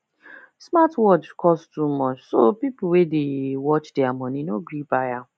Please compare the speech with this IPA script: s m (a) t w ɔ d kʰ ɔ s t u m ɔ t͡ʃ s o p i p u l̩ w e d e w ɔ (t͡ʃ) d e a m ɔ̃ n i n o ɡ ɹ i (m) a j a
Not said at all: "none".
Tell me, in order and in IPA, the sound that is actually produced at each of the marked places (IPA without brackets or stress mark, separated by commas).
a, t͡ʃ, b